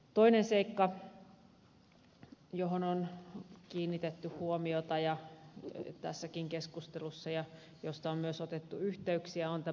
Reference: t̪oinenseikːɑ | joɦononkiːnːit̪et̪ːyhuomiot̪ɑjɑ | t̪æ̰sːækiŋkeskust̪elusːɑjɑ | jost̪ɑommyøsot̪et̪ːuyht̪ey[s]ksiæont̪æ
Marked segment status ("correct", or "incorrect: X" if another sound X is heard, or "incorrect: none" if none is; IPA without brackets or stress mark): incorrect: none